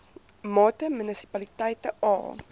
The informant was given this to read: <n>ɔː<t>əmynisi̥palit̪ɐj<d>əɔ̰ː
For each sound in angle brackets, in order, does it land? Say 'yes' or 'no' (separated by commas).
no, yes, no